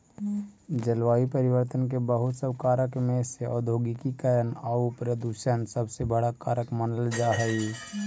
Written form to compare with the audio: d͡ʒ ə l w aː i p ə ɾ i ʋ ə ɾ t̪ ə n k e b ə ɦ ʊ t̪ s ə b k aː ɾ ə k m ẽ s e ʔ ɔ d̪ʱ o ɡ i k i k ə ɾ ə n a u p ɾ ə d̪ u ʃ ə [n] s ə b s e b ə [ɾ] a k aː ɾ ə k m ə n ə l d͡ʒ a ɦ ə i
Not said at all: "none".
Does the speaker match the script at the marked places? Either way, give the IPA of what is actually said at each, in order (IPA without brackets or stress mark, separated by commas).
n, ɽ